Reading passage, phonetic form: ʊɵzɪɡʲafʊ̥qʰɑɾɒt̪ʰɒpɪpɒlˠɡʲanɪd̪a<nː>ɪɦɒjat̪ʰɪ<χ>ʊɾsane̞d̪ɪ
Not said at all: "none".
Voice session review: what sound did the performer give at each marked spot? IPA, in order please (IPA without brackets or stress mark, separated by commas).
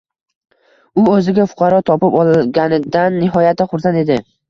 nː, χ